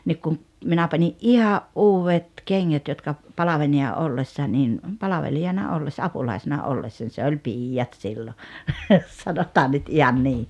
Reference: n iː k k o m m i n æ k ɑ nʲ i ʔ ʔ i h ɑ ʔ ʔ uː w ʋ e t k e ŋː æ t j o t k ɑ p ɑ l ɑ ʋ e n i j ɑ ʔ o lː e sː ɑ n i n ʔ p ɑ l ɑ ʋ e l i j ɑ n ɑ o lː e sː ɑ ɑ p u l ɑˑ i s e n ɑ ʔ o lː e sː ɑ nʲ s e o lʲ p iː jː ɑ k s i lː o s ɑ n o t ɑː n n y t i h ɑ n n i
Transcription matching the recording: n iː k k u m m i n æ p ɑ nʲ i ʔ ʔ i h ɑ ʔ ʔ uː w ʋ e t k e ŋː æ t j o t k ɑ p ɑ l ɑ ʋ e n i j ɑ ʔ o lː e sː ɑ n i n ʔ p ɑ l ɑ ʋ e l i j ɑ n ɑ o lː e sː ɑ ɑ p u l ɑˑ i s e n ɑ ʔ o lː e sː ɑ nʲ s e o lʲ p iː jː ɑ t s i lː o s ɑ n o t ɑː n n y t i h ɑ n n iː